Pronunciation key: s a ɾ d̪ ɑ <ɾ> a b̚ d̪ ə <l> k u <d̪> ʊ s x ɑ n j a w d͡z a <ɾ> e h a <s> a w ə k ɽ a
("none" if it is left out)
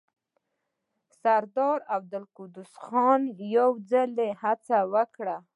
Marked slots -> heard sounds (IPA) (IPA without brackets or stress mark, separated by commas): ɾ, l, d̪, l, t͡s